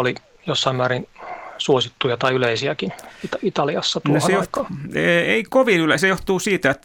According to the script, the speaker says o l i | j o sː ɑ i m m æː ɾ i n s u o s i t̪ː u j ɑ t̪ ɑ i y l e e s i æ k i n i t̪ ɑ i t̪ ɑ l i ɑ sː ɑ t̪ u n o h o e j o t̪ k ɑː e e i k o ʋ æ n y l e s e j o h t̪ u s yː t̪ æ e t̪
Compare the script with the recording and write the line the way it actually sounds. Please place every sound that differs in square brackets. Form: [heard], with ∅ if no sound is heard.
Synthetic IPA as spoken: o l i | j o sː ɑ i m m æː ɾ i n s u o s i t̪ː u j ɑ t̪ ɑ i y l e [i] s i æ k i n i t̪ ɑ i t̪ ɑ l i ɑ sː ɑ t̪ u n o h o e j o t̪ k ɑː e e i k o ʋ [i] n y l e s e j o h t̪ [uː] s [iː] t̪ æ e t̪